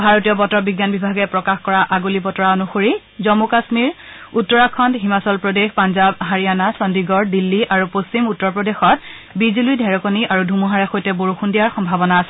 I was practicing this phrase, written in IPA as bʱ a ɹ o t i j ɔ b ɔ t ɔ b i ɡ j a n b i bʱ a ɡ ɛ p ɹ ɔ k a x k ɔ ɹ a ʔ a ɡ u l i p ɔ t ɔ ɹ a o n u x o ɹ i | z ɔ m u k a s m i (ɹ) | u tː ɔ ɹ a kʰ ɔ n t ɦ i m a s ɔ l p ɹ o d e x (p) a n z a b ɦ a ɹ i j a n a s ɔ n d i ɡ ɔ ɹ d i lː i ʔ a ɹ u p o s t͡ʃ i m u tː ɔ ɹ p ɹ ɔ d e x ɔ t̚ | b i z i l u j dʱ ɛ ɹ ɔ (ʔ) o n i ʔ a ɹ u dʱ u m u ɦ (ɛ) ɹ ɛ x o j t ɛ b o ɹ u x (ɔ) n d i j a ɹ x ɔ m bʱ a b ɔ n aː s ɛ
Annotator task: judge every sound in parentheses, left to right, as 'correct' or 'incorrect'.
correct, correct, incorrect: k, incorrect: a, incorrect: u

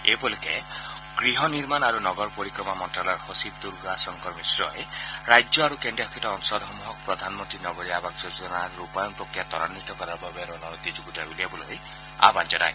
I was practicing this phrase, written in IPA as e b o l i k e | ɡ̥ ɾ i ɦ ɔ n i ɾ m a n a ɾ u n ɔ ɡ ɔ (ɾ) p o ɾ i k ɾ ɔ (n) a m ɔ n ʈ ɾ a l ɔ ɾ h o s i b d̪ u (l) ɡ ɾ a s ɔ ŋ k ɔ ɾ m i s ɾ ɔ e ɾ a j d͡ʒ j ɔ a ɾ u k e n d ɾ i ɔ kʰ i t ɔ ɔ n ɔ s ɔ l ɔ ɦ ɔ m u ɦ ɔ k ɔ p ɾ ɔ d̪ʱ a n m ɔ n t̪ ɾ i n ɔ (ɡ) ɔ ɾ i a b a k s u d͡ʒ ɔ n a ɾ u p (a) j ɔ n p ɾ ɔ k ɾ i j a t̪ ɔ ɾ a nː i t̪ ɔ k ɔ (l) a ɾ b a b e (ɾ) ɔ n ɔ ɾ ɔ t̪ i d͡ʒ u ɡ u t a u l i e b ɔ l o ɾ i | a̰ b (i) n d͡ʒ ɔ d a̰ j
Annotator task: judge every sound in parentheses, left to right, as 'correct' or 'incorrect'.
correct, incorrect: m, incorrect: ɾ, correct, correct, incorrect: ɾ, correct, incorrect: a

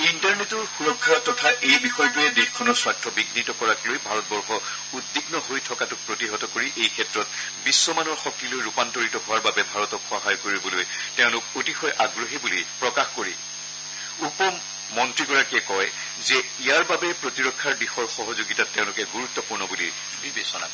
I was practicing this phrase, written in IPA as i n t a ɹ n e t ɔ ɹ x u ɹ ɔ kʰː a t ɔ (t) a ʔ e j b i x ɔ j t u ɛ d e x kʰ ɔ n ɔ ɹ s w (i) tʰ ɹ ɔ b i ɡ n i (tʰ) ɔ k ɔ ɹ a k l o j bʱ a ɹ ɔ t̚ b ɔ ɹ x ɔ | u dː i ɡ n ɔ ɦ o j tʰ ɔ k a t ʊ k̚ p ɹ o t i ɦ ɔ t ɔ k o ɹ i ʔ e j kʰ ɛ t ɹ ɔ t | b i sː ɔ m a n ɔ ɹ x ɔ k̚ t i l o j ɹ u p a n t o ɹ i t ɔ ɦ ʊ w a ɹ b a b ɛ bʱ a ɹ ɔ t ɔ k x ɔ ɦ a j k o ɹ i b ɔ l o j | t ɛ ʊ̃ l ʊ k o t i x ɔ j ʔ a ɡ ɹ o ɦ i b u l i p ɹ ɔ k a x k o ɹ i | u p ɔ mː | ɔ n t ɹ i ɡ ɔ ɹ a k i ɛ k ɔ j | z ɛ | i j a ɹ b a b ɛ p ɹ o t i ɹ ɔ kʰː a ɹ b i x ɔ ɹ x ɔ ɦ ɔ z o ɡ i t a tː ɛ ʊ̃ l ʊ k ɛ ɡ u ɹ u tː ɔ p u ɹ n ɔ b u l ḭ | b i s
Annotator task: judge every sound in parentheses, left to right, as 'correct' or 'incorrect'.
incorrect: tʰ, incorrect: a, incorrect: t

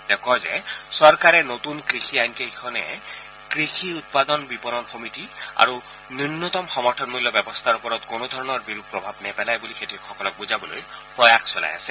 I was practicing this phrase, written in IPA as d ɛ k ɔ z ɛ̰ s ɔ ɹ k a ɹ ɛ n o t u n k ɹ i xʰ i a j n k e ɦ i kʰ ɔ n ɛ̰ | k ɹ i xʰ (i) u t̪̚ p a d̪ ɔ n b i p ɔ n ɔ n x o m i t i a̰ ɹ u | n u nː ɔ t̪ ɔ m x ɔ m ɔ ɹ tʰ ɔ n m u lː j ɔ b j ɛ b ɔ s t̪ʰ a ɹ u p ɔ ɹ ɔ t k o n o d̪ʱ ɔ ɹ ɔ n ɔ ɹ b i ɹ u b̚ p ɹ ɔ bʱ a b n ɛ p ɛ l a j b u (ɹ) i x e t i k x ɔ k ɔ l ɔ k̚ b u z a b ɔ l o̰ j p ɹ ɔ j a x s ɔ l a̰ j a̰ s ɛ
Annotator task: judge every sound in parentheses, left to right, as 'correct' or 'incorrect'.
correct, incorrect: l

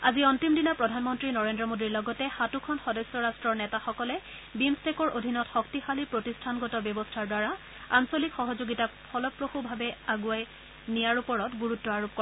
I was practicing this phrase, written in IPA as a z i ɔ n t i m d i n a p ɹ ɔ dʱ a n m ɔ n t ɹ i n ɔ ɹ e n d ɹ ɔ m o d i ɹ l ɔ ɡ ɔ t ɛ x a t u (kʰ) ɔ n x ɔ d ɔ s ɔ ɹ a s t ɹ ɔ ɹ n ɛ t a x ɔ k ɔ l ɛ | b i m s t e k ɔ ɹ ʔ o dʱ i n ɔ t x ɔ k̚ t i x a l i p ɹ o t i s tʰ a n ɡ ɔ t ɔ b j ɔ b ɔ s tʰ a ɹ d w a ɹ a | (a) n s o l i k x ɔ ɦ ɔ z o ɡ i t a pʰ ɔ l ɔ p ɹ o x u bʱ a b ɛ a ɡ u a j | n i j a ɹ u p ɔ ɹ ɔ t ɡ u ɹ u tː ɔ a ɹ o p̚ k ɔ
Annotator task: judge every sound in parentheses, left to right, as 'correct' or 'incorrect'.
correct, correct

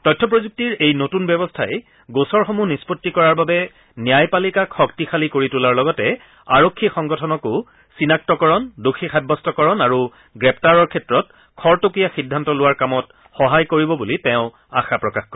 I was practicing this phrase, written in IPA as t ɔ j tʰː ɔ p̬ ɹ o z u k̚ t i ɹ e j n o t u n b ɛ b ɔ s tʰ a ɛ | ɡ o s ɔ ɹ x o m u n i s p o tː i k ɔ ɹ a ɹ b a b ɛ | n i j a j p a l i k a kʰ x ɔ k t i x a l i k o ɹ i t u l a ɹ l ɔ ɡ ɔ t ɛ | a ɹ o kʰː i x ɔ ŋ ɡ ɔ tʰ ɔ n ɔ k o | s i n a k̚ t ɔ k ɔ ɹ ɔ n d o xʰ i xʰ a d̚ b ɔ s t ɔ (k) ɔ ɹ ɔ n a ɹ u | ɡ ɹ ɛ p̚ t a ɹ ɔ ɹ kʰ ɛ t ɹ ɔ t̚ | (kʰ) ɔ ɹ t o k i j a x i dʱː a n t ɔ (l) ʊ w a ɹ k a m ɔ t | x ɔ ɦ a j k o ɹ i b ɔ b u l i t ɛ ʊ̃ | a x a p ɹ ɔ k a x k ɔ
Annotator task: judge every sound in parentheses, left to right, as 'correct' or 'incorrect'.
correct, correct, correct

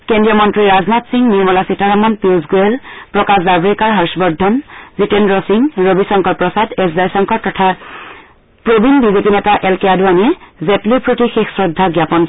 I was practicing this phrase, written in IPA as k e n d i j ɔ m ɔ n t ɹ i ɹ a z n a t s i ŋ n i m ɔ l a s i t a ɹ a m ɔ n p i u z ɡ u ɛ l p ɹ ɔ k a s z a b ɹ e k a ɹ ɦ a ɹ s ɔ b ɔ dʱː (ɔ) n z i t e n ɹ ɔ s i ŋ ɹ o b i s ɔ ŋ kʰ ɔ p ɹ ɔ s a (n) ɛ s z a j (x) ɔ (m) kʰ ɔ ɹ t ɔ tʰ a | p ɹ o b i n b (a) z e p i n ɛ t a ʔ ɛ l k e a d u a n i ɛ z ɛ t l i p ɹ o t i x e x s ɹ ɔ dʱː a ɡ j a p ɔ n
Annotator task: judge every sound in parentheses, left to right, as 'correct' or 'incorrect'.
correct, incorrect: d, incorrect: s, incorrect: ŋ, incorrect: i

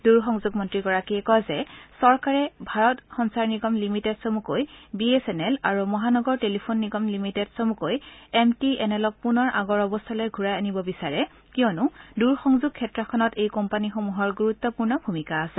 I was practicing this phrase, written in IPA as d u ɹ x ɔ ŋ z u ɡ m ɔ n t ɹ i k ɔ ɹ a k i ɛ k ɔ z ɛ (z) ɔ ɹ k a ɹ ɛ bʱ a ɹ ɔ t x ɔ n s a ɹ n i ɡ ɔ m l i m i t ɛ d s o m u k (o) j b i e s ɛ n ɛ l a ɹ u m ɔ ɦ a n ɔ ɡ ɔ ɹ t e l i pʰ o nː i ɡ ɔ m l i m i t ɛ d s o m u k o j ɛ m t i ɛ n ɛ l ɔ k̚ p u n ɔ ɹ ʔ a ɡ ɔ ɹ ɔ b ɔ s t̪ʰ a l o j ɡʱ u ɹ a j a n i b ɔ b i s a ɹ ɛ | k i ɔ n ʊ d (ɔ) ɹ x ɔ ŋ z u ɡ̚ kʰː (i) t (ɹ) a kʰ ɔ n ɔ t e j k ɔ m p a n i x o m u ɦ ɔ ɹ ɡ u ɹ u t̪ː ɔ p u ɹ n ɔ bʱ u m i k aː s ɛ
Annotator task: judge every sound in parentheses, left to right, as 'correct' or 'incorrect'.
incorrect: s, correct, incorrect: u, incorrect: ɛ, correct

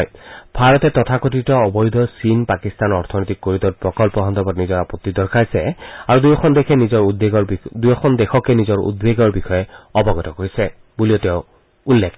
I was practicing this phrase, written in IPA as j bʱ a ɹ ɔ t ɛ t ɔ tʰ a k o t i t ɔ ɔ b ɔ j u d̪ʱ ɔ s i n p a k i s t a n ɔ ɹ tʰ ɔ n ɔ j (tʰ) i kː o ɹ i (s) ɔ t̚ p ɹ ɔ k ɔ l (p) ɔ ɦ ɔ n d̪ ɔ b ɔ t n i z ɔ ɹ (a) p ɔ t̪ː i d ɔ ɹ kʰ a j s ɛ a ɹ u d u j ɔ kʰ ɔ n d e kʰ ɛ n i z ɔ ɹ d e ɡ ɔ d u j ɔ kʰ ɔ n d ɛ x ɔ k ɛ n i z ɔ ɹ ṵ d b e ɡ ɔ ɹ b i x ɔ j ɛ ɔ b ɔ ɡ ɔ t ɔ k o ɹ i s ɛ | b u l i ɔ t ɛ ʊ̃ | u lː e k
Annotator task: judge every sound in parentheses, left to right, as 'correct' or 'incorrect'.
incorrect: t, incorrect: t, correct, correct

